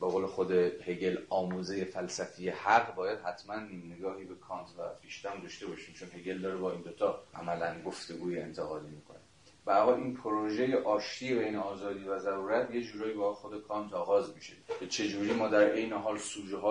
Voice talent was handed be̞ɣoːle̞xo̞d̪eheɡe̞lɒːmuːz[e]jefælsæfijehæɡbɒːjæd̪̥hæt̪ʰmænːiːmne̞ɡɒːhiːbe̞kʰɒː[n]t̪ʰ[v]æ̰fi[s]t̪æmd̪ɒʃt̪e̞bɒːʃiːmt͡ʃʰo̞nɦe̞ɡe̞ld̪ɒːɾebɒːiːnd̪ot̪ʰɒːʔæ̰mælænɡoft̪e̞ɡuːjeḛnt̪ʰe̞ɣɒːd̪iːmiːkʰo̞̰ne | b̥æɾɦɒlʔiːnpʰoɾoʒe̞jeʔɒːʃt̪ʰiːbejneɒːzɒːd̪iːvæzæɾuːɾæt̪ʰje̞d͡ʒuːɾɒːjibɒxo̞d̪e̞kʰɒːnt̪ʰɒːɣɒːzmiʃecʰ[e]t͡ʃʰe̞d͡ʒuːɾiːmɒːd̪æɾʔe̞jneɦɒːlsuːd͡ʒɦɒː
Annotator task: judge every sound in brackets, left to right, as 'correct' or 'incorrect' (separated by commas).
correct, correct, correct, incorrect, correct